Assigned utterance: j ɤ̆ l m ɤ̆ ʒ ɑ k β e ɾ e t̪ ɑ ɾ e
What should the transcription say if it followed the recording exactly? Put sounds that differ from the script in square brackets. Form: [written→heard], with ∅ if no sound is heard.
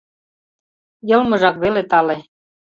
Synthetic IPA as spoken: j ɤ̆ l m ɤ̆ ʒ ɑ k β e [ɾ→l] e t̪ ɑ [ɾ→l] e